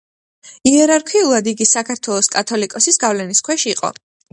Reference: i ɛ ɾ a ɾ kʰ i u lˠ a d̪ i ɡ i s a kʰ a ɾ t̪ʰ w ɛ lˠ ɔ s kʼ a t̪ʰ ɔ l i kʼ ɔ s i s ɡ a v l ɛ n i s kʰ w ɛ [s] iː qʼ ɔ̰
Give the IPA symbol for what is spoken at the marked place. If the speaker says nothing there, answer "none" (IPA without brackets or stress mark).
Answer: ʃ